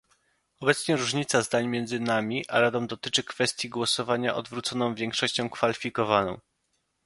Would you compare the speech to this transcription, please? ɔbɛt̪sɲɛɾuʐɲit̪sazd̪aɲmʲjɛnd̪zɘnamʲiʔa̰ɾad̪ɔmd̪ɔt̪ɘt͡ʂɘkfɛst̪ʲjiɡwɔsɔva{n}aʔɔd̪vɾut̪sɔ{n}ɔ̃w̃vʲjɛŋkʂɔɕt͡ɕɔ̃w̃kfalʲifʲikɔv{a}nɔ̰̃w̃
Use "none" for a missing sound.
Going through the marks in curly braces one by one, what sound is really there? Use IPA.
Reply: ɲ, n, a

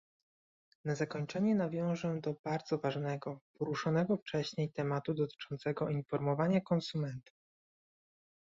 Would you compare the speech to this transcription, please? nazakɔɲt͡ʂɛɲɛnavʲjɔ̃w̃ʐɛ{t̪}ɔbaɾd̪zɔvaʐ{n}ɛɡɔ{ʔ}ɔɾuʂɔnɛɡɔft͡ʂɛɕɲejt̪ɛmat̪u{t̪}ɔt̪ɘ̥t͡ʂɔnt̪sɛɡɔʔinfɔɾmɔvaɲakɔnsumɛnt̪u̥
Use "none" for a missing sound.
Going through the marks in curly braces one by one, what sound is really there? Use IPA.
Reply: d̪, n, p, d̪

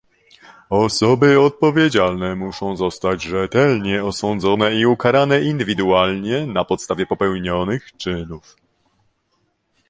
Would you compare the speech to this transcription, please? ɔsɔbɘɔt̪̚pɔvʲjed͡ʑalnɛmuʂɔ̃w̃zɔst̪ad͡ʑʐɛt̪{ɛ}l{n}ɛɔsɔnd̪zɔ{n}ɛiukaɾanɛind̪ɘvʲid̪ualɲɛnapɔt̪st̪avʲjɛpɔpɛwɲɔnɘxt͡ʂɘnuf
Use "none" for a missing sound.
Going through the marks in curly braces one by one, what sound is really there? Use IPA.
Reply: ɛ, ɲ, n

